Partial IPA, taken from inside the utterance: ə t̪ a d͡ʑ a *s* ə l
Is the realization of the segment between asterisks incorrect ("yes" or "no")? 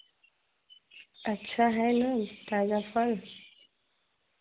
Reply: yes